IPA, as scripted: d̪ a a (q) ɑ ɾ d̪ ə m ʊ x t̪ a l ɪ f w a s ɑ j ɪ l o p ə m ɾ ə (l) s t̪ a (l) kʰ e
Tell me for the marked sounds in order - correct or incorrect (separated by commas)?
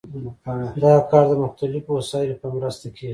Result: incorrect, incorrect, incorrect